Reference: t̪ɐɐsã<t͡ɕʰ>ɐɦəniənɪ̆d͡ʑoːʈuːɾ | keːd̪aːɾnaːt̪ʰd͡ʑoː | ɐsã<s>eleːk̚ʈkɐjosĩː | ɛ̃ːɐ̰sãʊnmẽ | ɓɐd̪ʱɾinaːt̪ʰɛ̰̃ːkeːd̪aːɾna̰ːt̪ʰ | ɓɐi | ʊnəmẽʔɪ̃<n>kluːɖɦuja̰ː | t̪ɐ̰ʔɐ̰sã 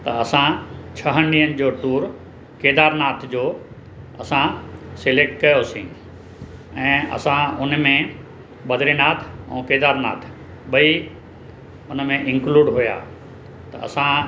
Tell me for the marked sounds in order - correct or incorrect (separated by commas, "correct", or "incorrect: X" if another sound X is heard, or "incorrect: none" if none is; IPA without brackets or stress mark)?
correct, correct, incorrect: ŋ